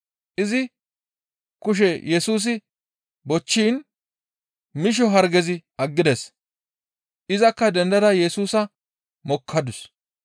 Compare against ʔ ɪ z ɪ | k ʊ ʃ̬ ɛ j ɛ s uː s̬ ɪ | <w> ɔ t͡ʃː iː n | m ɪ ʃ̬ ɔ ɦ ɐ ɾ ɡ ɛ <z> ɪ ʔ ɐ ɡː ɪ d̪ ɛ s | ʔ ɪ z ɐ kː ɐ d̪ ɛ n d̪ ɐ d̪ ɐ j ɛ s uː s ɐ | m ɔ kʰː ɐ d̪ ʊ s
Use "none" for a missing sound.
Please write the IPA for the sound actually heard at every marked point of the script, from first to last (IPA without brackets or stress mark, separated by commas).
b, z